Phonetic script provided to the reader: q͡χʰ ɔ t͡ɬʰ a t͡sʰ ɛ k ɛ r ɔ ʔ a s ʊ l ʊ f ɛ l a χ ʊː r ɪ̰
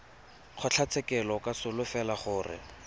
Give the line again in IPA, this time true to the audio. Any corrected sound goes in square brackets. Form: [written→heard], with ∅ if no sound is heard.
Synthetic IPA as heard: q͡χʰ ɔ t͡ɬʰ a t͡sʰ ɛ k ɛ [r→l] ɔ [ʔ→k] a s ʊ l ʊ f ɛ l a χ ʊː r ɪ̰